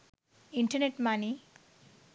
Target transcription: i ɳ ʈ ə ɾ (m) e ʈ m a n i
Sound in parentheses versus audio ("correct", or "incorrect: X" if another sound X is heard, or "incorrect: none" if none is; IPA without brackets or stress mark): incorrect: n